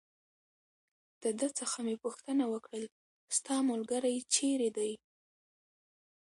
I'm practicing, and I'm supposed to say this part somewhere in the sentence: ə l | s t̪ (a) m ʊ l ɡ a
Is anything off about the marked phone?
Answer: yes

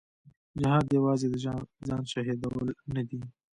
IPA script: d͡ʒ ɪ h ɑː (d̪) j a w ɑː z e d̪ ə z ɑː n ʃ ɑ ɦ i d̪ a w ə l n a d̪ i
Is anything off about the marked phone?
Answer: no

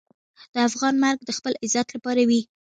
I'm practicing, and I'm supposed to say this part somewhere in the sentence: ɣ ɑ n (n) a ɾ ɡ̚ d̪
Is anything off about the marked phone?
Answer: yes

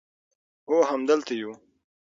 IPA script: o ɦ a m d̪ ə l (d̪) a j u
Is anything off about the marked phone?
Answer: yes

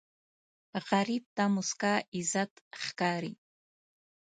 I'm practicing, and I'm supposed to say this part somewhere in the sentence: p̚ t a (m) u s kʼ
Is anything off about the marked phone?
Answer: no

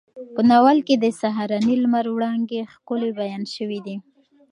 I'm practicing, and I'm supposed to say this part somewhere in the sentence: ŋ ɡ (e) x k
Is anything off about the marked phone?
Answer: no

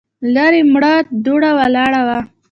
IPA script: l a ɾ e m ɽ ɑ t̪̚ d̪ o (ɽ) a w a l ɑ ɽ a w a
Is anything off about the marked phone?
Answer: no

